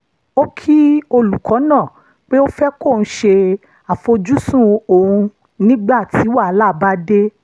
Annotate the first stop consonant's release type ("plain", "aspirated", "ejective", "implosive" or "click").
aspirated